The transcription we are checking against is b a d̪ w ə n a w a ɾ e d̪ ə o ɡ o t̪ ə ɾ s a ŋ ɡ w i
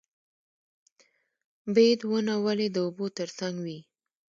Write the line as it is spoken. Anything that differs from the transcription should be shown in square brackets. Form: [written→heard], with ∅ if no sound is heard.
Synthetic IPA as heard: b [a→e] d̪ w ə n a w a [ɾ→l] e d̪ ə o [ɡ→b] o t̪ ə ɾ s a ŋ ɡ w i